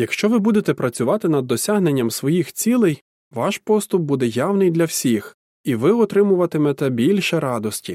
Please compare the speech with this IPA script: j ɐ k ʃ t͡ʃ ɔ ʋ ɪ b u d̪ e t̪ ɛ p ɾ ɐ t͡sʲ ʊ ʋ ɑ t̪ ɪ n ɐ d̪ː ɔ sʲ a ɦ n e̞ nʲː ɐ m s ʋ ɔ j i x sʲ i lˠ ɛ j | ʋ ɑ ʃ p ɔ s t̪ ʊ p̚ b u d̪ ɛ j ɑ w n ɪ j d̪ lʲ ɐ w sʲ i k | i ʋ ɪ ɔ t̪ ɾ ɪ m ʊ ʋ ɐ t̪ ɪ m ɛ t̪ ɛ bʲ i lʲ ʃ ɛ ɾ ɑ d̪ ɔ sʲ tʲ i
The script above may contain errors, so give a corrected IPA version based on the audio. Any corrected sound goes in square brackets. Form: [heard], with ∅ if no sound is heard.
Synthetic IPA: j ɐ k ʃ t͡ʃ ɔ ʋ ɪ b u d̪ e t̪ ɛ p ɾ ɐ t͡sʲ ʊ ʋ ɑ t̪ ɪ n ɐ d̪ː ɔ sʲ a ɦ n e̞ nʲː ɐ m s ʋ ɔ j i x [t͡sʲ] i lˠ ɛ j | ʋ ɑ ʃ p ɔ s t̪ ʊ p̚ b u d̪ ɛ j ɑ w n ɪ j d̪ lʲ ɐ w sʲ i [x] | i ʋ ɪ ɔ t̪ ɾ ɪ m ʊ ʋ ɐ t̪ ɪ m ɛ t̪ ɛ bʲ i lʲ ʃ ɛ ɾ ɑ d̪ ɔ sʲ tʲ i